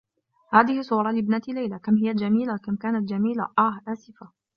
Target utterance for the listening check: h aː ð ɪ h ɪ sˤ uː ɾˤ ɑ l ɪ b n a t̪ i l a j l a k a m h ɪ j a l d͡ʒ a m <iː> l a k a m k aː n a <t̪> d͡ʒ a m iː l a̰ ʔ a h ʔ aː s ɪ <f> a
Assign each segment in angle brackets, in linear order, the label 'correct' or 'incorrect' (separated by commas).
correct, correct, correct